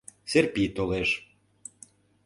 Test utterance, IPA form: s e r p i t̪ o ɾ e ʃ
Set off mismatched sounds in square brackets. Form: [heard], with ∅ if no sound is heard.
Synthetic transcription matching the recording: s e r p i t̪ o [l] e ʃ